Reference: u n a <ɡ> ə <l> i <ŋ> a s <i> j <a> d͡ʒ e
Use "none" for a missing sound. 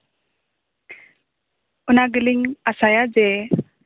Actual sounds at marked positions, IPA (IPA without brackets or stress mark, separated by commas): ɡ, l, ŋ, a, a